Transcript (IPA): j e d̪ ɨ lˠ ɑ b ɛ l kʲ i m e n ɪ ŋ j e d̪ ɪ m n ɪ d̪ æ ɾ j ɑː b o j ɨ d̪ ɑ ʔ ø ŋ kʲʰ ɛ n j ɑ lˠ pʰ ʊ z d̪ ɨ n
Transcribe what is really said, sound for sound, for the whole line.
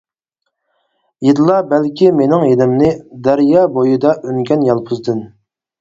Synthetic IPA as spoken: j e d̪ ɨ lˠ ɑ b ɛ l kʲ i m e n ɪ ŋ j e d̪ ɪ m n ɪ d̪ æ ɾ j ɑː b o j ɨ d̪ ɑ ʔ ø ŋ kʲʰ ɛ n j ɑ lˠ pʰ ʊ z d̪ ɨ n